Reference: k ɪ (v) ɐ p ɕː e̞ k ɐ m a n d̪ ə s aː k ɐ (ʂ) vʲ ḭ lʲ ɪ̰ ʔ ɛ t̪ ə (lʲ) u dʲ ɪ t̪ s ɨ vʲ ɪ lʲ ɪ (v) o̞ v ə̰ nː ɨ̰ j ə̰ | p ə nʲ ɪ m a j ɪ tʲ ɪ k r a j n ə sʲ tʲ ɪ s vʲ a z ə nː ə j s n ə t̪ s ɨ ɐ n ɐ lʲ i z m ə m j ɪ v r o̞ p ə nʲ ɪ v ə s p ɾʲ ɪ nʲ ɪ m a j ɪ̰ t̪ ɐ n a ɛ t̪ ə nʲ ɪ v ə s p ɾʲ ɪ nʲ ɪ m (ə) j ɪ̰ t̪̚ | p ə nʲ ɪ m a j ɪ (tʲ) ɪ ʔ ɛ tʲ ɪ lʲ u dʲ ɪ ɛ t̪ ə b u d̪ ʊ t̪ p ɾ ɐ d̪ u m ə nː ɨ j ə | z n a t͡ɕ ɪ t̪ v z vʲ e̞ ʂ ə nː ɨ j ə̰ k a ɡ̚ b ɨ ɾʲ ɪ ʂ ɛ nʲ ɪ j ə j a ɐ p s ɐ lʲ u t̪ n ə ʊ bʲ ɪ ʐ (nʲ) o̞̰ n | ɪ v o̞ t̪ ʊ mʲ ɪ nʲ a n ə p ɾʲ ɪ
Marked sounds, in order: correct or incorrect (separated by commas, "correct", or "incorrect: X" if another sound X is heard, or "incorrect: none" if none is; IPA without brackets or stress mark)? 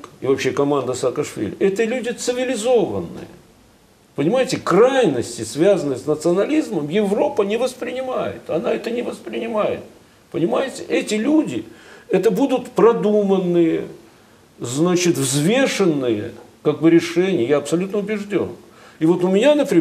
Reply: correct, correct, correct, incorrect: z, incorrect: a, correct, incorrect: dʲ